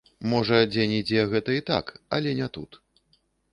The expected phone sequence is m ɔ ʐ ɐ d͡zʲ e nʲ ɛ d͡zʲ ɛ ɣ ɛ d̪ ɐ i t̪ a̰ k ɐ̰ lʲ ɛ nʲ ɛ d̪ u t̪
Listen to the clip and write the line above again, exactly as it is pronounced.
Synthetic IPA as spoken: m ɔ ʐ ɐ d͡zʲ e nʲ i d͡zʲ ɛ ɣ ɛ t̪ ɐ i t̪ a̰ k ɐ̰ lʲ ɛ nʲ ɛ t̪ u t̪